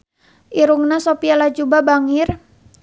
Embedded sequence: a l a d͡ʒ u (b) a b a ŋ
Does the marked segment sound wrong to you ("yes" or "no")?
no